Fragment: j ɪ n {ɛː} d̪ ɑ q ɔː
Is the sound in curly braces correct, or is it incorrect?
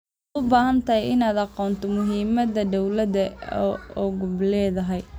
incorrect